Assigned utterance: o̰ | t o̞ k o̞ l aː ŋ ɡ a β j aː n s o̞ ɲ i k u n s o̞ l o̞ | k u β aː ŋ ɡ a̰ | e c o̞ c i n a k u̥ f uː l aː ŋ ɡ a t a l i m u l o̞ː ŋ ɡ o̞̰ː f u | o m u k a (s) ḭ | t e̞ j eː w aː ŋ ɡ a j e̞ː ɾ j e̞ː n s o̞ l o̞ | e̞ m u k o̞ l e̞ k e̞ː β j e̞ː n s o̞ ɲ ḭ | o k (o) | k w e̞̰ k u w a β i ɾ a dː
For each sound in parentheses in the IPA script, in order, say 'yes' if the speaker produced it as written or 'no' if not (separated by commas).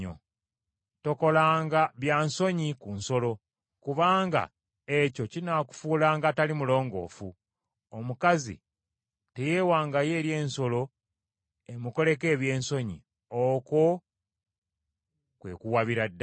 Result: no, yes